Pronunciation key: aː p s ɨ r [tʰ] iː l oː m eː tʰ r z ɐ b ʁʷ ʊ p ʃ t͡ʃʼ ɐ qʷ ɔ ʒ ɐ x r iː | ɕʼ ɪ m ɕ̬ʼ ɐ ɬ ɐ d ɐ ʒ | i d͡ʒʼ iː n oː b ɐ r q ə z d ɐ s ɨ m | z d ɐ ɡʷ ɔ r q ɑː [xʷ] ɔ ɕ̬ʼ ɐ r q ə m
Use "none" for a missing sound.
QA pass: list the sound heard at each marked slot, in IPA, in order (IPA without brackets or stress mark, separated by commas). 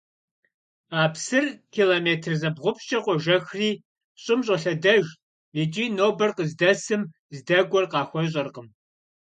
kʰ, xʷ